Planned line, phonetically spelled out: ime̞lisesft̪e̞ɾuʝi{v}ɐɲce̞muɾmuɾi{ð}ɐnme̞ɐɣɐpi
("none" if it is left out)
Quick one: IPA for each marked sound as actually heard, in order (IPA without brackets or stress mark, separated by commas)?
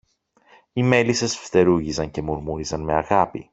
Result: z, z